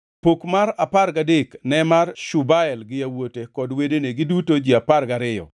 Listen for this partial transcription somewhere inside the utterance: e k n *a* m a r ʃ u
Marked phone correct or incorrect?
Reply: incorrect